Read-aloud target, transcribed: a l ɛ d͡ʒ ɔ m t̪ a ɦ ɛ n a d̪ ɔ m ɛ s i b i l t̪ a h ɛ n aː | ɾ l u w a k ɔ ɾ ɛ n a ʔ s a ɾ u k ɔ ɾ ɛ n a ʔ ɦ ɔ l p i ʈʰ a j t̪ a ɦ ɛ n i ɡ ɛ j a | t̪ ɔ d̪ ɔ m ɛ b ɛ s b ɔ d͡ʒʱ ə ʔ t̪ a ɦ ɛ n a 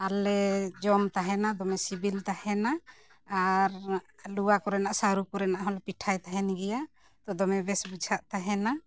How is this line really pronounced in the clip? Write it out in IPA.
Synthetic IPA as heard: a l ɛ d͡ʒ ɔ m t̪ a ɦ ɛ n a d̪ ɔ m ɛ s i b i l t̪ a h ɛ n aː | ɾ l u w a k ɔ ɾ ɛ n a ʔ s a ɾ u k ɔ ɾ ɛ n a ʔ ɦ ɔ l p i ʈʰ a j t̪ a ɦ ɛ n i ɡ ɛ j a | t̪ ɔ d̪ ɔ m ɛ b ɛ s b u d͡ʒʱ a ʔ t̪ a ɦ ɛ n a